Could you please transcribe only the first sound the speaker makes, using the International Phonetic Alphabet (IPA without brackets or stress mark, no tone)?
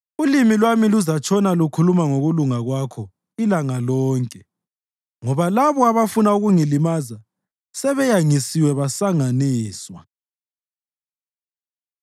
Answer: u